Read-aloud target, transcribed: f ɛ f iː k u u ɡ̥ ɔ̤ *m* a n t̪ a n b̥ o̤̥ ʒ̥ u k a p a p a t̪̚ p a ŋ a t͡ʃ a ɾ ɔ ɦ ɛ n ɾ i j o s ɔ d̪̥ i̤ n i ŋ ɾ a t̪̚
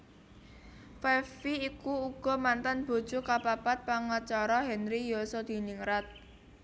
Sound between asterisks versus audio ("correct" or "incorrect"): correct